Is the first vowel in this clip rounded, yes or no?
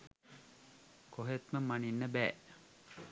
yes